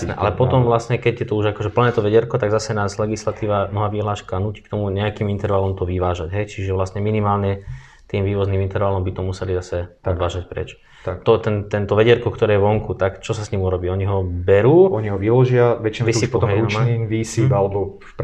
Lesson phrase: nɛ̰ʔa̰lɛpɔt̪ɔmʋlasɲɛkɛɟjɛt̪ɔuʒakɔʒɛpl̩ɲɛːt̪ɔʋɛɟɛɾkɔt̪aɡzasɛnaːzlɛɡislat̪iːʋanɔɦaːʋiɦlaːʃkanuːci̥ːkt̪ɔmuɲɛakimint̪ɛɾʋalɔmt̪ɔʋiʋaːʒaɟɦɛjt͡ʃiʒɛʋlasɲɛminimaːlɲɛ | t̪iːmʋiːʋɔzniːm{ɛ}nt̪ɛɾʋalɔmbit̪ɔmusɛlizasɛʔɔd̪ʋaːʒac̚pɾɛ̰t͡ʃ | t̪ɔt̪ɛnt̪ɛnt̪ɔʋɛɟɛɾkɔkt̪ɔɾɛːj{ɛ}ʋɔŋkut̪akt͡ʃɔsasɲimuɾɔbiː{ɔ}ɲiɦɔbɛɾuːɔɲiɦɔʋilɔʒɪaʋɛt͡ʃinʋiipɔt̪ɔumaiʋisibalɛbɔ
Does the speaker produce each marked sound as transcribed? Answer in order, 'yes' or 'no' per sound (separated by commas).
no, yes, yes